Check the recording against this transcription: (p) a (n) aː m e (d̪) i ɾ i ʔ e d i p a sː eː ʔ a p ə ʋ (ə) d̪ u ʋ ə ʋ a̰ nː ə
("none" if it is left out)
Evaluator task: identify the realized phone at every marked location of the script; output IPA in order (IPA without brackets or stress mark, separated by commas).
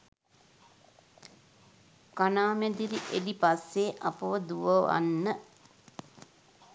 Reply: k, n, d̪, ə